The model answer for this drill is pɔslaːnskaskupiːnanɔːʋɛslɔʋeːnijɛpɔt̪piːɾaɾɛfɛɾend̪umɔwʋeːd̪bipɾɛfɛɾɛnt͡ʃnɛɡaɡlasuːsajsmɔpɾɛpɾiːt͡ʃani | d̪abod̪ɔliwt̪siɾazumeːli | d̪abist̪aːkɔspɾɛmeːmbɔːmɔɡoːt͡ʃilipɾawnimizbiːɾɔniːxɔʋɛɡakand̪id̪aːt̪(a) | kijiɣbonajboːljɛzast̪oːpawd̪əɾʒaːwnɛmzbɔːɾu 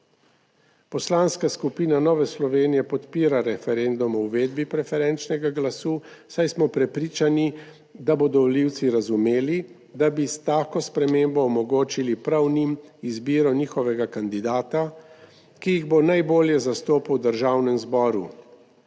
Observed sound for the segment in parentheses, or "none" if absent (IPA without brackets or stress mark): a